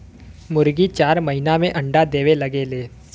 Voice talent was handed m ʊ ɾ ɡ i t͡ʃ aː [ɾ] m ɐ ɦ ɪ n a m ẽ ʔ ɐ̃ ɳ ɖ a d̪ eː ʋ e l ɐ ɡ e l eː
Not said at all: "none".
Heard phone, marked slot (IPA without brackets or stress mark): ɾ